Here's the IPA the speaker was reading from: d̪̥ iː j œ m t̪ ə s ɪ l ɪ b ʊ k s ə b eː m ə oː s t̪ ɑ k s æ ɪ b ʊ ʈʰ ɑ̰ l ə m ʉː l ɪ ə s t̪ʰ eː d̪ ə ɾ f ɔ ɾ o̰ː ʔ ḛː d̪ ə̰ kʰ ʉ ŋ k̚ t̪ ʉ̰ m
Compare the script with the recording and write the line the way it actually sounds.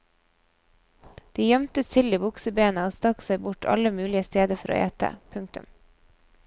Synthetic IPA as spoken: d̪̥ iː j œ m t̪ ə s ɪ l ɪ b ʊ k s ə b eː n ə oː s t̪ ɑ k s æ ɪ b ʊ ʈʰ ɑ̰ l ə m ʉː l ɪ ə s t̪ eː d̪ ə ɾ f ɔ ɾ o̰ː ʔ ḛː t̪ ə̰ pʰ ʉ ŋ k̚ t̪ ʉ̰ m